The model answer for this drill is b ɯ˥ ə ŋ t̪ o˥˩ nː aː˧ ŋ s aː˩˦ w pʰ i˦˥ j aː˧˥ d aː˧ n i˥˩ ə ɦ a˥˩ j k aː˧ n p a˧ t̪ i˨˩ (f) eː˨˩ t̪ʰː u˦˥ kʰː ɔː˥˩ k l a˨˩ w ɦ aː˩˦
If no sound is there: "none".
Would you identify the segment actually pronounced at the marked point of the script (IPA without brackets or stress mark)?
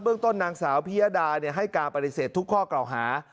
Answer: s